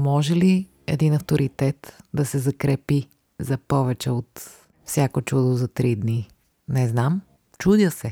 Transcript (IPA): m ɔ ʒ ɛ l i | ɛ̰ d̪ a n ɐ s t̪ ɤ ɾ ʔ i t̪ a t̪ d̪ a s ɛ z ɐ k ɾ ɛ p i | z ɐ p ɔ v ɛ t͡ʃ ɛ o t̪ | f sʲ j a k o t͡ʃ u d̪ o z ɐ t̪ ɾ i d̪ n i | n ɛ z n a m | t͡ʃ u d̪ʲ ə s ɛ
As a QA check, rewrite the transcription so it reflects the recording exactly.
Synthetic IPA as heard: m ɔ ʒ ɛ l i | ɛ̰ d̪ i n ɐ f t̪ o ɾ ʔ i t̪ ɛ t̪ d̪ ɐ s ɛ z ɐ k ɾ ɛ p i | z ɐ p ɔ v ɛ t͡ʃ ɛ o t̪ | f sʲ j a k o t͡ʃ u d̪ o z ɐ t̪ ɾ i d̪ n i | n ɛ z n a m | t͡ʃ u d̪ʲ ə s ɛ